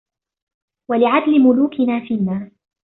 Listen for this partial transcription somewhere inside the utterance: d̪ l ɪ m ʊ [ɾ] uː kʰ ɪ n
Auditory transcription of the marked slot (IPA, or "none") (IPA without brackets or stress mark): l